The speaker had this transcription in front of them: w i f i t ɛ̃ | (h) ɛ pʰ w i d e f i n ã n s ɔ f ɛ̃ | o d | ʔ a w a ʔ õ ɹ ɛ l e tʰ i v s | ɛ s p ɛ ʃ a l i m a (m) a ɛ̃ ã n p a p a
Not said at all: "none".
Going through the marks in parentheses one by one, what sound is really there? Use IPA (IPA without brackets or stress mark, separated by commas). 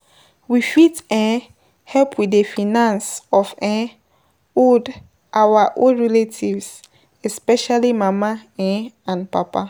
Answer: h, m